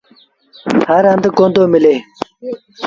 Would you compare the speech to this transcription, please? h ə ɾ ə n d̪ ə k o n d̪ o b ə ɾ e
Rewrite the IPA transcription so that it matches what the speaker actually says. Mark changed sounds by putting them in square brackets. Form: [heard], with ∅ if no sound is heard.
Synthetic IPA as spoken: h [a] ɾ [a] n d̪ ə k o n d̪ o [m] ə [l] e